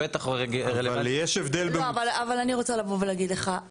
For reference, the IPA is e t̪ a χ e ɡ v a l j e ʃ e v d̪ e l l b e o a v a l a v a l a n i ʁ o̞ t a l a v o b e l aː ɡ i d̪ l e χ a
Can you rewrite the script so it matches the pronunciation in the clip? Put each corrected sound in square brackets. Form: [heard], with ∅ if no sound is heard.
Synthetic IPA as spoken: e t̪ a χ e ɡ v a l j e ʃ e v d̪ e l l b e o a v a l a v a l a n i ʁ o̞ [t͡s] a l a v o [v] e l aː ɡ i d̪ l e χ a